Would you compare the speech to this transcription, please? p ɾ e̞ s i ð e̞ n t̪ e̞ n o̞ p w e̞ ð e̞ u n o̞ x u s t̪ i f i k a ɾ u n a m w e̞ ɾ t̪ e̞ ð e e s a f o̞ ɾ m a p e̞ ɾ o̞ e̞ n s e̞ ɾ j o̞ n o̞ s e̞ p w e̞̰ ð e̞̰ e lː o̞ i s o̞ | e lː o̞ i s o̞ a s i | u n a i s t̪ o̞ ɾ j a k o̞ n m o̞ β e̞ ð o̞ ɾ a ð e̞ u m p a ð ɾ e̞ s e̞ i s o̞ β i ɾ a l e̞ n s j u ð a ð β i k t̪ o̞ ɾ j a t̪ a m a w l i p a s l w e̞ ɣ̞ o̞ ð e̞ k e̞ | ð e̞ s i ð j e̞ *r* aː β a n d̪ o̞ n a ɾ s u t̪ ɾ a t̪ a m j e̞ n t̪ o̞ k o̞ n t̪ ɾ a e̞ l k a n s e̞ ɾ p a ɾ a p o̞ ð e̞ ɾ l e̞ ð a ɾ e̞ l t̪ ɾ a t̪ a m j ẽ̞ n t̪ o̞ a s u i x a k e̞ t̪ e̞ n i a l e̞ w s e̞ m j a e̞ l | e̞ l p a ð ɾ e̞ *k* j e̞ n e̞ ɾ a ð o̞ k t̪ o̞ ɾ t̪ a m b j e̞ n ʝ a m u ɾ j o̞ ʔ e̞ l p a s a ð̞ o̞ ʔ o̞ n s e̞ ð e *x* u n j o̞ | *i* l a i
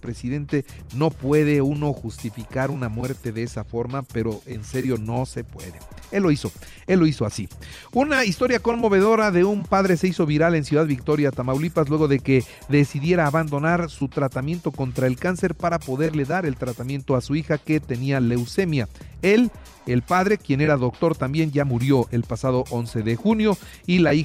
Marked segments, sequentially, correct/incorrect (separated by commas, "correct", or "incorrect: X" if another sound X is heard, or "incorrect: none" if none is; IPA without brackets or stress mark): incorrect: ɾ, correct, correct, correct